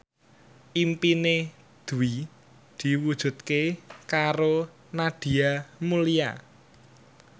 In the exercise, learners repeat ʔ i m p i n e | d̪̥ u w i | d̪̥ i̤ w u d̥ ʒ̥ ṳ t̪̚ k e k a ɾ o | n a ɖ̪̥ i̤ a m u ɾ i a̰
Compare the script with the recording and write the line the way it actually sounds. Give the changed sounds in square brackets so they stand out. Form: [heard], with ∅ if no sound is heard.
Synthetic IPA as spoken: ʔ i m p i n e | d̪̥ u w i | d̪̥ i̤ w u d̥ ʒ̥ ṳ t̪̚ k e k a ɾ o | n a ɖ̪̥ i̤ a m u [l] i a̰